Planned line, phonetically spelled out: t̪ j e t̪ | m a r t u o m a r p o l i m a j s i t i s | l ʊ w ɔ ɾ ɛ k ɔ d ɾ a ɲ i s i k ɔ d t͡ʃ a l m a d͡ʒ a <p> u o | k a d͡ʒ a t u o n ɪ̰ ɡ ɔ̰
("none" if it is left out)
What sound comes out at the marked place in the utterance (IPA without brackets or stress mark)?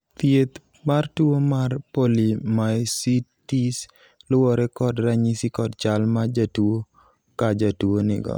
t